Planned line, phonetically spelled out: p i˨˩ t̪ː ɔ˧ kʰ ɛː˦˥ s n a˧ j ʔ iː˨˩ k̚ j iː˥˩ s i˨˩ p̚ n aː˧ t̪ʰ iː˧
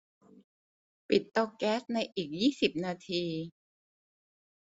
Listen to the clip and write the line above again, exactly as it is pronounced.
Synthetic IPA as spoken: p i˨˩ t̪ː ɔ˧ k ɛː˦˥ s n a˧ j ʔ iː˨˩ k̚ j iː˥˩ s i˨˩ p̚ n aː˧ t̪ʰ iː˧